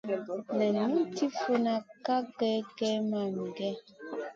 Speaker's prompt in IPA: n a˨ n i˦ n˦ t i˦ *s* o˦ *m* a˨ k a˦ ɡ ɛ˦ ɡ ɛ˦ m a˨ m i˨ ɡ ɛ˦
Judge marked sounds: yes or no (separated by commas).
no, no